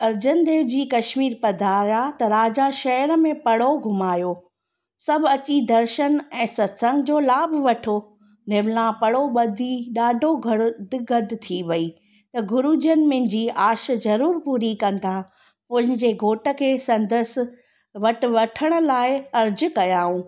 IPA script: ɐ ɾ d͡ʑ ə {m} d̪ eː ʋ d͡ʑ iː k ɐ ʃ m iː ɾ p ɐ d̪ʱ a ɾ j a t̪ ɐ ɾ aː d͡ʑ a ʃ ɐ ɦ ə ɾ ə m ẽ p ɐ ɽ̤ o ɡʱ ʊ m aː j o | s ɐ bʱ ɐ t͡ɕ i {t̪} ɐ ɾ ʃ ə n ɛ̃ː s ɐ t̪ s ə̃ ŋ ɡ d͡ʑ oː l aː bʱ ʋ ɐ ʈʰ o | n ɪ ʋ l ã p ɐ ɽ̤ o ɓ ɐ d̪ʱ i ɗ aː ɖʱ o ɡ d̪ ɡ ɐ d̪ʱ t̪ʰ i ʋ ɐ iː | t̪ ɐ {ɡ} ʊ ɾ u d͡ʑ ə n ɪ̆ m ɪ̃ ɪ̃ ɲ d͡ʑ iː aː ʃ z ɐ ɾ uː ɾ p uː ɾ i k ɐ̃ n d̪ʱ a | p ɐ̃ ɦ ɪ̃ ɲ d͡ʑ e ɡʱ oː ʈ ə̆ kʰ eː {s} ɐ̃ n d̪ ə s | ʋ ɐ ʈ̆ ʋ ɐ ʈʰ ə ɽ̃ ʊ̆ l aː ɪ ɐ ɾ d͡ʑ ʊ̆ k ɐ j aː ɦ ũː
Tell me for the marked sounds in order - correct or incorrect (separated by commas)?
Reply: incorrect, incorrect, correct, correct